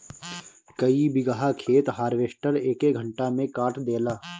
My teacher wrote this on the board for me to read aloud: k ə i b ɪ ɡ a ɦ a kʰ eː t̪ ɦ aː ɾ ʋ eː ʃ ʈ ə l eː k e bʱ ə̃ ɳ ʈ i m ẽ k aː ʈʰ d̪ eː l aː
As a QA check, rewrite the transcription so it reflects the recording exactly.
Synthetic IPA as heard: k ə i b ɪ ɡ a ɦ a kʰ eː t̪ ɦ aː ɾ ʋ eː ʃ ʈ ə ɾ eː k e ɡʱ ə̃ ɳ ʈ a m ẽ k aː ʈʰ d̪ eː l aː